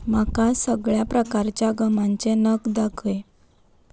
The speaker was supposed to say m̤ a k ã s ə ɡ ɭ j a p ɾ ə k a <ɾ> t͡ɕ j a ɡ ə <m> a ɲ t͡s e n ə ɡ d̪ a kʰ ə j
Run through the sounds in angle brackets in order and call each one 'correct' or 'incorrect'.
correct, correct

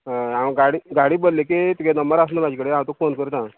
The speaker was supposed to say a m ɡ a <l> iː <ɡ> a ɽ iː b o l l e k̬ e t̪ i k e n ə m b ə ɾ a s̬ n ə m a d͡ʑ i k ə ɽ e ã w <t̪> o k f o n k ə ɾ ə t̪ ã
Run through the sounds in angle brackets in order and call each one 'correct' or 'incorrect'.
incorrect, correct, correct

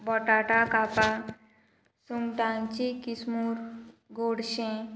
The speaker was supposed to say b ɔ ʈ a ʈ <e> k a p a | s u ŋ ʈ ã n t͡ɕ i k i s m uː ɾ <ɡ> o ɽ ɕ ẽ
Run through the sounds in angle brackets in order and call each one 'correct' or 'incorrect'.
incorrect, correct

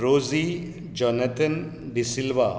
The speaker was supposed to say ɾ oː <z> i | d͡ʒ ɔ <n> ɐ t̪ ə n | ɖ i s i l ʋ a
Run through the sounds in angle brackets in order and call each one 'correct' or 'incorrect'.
correct, correct

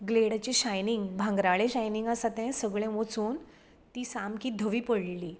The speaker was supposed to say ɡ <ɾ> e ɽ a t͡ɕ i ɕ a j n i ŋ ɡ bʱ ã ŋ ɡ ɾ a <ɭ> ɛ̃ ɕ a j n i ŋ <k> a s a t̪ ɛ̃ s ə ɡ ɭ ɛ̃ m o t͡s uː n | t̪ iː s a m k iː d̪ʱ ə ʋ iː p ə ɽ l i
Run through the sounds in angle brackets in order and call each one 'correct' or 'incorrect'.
incorrect, correct, incorrect

